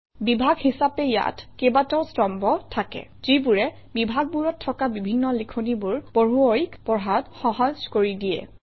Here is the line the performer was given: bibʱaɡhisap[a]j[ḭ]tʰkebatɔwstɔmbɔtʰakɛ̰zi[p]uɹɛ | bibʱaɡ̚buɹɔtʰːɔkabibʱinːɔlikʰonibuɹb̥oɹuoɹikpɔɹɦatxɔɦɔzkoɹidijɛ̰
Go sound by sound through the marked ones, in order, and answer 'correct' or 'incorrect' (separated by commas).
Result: incorrect, incorrect, incorrect